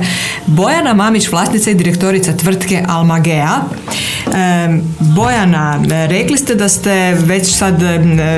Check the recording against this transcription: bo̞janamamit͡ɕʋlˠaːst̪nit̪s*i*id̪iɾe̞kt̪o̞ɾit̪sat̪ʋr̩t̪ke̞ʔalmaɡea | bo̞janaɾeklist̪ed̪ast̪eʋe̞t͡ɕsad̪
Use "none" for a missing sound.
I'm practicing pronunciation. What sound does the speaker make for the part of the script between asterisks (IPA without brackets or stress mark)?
a